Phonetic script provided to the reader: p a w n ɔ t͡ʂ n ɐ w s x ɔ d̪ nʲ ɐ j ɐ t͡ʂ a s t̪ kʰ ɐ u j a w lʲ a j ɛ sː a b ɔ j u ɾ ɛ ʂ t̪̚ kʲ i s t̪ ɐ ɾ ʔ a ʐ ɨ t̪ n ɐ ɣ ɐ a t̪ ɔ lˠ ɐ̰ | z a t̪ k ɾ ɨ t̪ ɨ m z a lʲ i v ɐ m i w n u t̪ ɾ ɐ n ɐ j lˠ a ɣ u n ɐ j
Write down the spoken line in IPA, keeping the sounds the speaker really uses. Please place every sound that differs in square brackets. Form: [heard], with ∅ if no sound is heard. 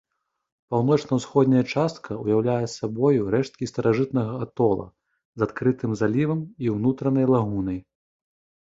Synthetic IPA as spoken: p a w n ɔ t͡ʂ n ɐ w s x ɔ d̪ nʲ ɐ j ɐ t͡ʂ a s t̪ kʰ ɐ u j a w lʲ a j ɛ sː a b ɔ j u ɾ ɛ ʂ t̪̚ kʲ i s t̪ ɐ ɾ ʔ a ʐ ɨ t̪ n ɐ ɣ ɐ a t̪ ɔ lˠ ɐ̰ | z a t̪ k ɾ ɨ t̪ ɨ m z a lʲ i v ɐ m i w n u t̪ ɾ ɐ n ɐ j lˠ a ɣ u n ɐ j